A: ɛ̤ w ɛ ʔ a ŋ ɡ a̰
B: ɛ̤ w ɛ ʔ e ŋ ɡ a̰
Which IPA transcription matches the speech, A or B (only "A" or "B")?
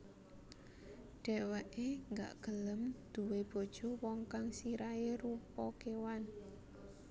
B